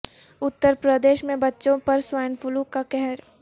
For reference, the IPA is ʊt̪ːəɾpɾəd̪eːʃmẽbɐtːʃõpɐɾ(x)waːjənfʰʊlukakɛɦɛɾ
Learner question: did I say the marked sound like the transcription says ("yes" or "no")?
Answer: no